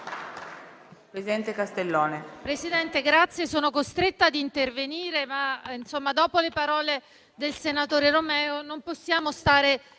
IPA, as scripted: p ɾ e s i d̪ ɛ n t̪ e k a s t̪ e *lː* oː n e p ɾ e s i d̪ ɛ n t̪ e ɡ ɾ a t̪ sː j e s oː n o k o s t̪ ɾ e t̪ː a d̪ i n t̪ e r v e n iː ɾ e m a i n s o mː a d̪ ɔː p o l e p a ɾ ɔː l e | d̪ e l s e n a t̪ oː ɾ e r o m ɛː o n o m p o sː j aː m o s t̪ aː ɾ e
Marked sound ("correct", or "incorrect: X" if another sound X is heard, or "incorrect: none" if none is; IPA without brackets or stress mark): correct